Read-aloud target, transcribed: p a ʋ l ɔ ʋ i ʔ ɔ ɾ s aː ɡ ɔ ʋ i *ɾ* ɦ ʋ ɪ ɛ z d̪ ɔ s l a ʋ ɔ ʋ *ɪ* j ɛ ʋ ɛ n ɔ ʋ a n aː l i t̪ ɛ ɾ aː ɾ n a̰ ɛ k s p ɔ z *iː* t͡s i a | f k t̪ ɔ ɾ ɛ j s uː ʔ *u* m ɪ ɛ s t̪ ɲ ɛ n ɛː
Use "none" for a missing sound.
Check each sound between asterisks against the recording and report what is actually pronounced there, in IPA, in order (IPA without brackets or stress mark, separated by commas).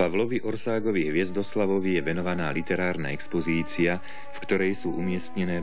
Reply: none, i, iː, u